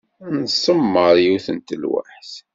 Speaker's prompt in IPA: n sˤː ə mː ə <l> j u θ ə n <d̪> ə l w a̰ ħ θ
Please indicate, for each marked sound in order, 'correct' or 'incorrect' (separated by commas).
incorrect, incorrect